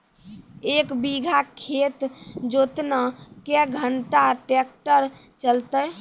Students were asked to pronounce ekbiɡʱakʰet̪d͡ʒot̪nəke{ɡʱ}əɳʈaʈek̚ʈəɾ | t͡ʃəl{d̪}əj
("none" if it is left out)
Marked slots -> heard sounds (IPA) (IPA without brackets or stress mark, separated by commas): ɡʱ, t̪